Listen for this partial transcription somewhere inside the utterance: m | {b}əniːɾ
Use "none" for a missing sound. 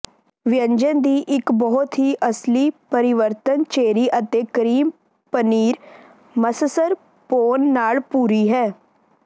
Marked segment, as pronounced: p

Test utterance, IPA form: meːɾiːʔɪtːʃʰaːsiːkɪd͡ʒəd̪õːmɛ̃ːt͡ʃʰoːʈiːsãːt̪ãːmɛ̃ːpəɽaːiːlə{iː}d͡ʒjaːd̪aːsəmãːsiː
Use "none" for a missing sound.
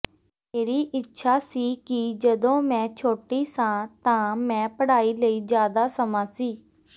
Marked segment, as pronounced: iː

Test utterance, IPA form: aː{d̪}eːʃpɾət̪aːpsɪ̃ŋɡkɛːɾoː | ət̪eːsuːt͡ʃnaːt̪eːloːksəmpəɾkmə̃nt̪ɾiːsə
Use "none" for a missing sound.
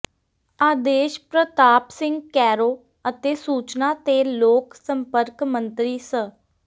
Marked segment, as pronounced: d̪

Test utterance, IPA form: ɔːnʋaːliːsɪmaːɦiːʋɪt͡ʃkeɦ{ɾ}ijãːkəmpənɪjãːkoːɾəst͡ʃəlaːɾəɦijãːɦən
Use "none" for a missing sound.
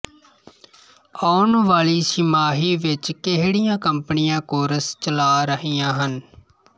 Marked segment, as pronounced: ɽ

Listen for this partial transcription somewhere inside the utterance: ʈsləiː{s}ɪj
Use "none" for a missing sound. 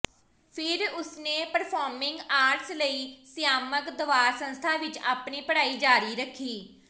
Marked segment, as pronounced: s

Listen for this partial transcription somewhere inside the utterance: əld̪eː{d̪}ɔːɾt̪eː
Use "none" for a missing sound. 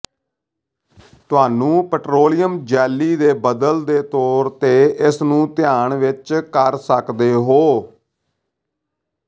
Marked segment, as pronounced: t̪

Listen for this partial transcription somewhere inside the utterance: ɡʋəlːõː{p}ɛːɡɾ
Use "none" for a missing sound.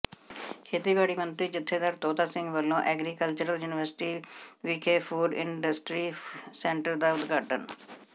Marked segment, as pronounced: ʔ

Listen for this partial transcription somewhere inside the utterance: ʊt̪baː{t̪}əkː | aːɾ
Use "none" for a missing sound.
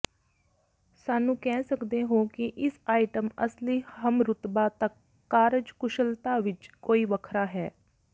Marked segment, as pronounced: t̪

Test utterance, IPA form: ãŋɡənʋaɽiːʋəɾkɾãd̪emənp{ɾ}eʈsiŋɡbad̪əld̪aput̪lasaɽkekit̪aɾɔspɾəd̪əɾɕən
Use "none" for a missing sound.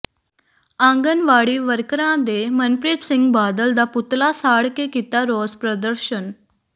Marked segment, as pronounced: ɾ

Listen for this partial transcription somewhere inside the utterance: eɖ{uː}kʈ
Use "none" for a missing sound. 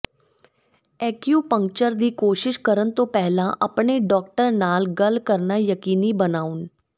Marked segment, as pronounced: ɔː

